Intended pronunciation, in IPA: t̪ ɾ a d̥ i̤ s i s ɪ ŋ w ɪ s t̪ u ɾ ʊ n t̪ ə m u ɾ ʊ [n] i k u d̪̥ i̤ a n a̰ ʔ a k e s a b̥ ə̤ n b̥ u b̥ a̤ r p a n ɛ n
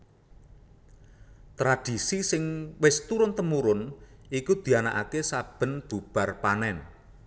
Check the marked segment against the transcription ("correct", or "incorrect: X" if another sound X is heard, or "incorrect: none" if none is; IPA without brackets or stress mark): correct